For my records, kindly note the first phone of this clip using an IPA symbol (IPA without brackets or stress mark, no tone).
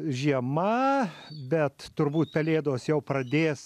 ʒʲ